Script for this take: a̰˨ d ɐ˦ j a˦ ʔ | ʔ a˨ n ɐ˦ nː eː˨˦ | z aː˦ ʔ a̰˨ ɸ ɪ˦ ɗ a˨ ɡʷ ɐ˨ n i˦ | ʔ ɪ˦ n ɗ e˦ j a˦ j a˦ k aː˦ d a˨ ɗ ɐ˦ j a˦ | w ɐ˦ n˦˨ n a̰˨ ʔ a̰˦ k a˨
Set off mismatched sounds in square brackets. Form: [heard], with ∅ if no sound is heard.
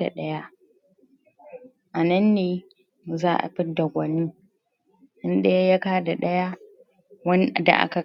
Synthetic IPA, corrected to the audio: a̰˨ [ɗ] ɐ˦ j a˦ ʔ | ʔ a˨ n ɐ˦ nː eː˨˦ | z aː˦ ʔ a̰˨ ɸ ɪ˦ [d] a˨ ɡʷ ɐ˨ n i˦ | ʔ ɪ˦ n ɗ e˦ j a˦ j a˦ k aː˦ d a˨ ɗ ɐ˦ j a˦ | w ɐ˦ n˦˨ [d] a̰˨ ʔ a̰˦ k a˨